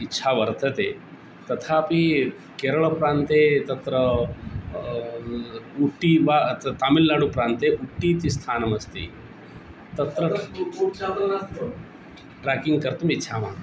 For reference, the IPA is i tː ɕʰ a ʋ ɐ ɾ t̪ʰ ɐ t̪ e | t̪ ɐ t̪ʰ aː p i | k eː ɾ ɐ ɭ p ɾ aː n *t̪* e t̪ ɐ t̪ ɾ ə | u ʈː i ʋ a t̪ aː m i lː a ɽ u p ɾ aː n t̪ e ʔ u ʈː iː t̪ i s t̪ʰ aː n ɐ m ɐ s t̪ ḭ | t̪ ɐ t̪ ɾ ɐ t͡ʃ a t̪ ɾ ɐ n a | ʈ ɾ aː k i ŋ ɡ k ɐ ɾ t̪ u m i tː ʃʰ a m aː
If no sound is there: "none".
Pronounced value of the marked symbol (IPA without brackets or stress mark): t̪